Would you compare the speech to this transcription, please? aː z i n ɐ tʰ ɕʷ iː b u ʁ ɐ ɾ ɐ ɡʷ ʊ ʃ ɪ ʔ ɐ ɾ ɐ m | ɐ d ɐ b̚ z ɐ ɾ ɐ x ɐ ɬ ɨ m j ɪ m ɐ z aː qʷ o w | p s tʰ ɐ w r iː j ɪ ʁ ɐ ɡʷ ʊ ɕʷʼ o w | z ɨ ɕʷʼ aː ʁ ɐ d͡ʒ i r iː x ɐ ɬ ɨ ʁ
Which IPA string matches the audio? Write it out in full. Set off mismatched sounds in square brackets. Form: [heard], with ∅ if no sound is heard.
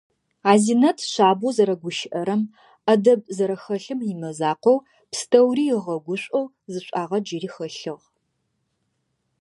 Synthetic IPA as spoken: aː z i n ɐ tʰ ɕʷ [aː] b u [z] ɐ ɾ ɐ ɡʷ ʊ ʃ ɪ ʔ ɐ ɾ ɐ m | ɐ d ɐ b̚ z ɐ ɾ ɐ x ɐ ɬ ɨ m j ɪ m ɐ z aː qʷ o w | p s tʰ ɐ w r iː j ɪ ʁ ɐ ɡʷ ʊ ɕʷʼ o w | z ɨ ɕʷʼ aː ʁ ɐ d͡ʒ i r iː x ɐ ɬ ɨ ʁ